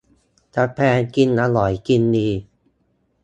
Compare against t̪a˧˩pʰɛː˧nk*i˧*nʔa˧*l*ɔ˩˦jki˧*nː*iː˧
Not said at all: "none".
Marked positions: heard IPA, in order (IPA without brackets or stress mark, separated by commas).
i˧, l, nː